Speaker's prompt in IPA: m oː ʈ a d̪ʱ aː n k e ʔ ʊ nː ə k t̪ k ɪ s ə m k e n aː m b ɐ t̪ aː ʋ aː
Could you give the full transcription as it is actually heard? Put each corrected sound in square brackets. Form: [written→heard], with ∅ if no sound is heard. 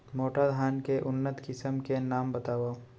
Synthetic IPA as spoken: m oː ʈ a d̪ʱ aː n k e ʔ ʊ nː ə [k→∅] t̪ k ɪ s ə m k e n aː m b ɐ t̪ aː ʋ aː